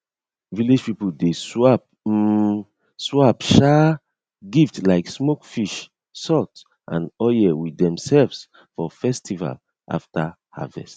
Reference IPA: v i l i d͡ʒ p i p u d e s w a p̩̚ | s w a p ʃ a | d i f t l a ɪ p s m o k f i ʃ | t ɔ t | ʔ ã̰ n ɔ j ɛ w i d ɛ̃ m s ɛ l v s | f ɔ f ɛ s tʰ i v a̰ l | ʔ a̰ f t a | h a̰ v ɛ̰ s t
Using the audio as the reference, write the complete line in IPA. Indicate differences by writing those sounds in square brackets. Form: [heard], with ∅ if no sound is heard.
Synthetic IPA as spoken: v i l i d͡ʒ p i p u d e s w a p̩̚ | s w a p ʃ a | [ɡ] i f t l a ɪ [k] s m o k f i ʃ | [s] ɔ t | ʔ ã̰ n ɔ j ɛ w i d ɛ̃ m s ɛ l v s | f ɔ f ɛ s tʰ i v a̰ l | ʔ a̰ f t a | h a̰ v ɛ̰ s t